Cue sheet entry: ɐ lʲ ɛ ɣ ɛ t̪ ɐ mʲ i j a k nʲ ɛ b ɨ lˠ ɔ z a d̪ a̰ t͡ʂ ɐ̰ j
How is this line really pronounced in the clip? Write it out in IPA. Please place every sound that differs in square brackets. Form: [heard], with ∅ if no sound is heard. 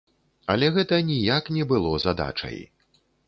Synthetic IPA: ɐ lʲ ɛ ɣ ɛ t̪ ɐ [nʲ] i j a k nʲ ɛ b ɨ lˠ ɔ z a d̪ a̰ t͡ʂ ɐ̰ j